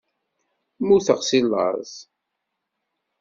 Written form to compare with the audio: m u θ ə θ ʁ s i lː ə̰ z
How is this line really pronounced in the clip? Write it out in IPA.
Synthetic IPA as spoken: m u θ ə ʁ s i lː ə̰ z